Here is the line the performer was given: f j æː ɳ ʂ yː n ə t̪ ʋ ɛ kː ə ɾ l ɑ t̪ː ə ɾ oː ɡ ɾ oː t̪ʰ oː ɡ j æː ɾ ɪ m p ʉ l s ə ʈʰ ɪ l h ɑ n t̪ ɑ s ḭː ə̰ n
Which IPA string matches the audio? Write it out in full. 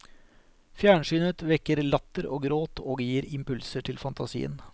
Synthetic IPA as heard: f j æː ɳ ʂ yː n ə t̪ ʋ ɛ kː ə ɾ l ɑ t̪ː ə ɾ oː ɡ ɾ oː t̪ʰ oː ɡ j iː ɾ ɪ m p ʉ l s ə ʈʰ ɪ l f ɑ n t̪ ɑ s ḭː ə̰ n